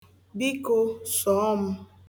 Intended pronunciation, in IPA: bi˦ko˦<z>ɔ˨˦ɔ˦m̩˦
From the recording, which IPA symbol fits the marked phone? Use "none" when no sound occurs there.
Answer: s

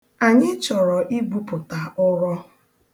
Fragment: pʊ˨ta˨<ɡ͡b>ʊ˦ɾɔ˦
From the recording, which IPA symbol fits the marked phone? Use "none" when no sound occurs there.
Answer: none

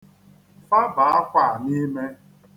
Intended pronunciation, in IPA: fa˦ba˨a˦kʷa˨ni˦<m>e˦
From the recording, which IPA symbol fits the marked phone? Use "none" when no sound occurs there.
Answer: m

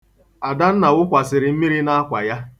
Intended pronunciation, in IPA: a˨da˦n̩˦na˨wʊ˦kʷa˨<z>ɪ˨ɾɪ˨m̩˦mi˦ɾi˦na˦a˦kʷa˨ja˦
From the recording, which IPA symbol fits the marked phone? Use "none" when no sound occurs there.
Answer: s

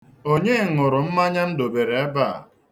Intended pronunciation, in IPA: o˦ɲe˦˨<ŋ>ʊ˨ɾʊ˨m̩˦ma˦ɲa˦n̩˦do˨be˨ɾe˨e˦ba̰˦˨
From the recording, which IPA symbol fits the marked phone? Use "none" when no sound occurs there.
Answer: ŋ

